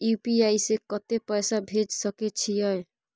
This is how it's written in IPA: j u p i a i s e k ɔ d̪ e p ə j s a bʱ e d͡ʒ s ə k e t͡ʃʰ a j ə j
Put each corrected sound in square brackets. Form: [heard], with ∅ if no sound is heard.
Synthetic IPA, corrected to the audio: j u p i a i s e k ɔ [t̪] e p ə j s a bʱ e d͡ʒ s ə k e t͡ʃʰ [i] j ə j